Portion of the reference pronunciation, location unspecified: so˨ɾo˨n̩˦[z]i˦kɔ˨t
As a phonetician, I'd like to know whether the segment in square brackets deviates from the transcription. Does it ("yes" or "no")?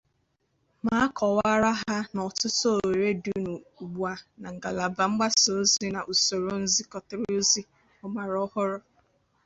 no